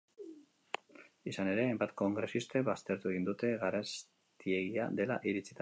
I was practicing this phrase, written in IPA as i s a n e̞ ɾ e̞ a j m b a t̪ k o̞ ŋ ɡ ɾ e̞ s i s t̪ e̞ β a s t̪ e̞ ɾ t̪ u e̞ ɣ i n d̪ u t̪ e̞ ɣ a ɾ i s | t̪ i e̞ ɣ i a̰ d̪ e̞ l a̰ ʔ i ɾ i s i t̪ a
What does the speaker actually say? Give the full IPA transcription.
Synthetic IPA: i s a n e̞ ɾ e̞ a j m b a t̪ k o̞ ŋ ɡ ɾ e̞ s i s t̪ e̞ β a s t̪ e̞ ɾ t̪ u e̞ ɣ i n d̪ u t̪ e̞ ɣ a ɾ a s | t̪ i e̞ ɣ i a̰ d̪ e̞ l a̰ ʔ i ɾ i t͡s i t̪ a